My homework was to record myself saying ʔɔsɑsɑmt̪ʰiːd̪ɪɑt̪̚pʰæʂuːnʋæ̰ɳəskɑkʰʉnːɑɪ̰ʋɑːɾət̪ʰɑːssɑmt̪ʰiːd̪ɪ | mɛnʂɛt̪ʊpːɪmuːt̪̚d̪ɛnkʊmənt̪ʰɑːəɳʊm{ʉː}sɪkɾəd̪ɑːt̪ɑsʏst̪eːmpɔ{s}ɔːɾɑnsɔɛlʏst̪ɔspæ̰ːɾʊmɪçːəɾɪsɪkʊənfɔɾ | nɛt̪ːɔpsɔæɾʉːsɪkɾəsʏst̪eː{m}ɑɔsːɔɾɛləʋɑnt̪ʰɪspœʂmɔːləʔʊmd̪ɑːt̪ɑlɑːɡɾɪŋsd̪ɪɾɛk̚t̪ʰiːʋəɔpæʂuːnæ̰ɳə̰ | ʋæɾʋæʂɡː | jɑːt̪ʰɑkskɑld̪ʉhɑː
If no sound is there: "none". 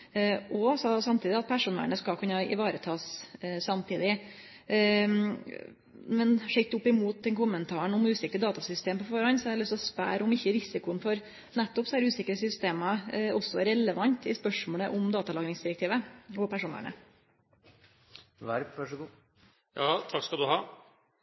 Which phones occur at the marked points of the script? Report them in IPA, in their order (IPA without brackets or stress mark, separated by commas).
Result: ʉː, f, m